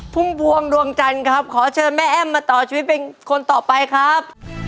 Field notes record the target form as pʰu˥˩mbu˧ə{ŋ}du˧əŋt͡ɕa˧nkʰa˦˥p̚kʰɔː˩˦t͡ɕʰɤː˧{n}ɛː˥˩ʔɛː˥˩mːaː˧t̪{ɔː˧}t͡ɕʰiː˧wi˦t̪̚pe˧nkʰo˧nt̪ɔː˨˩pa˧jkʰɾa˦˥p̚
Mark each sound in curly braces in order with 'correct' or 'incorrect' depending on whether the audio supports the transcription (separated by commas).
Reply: correct, incorrect, incorrect